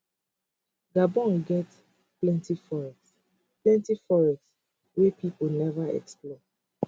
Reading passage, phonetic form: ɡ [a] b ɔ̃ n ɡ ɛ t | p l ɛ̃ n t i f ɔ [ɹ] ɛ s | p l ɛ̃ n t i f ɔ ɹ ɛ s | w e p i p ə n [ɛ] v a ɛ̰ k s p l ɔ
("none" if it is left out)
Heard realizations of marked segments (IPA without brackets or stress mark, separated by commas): a, ɹ, ɛ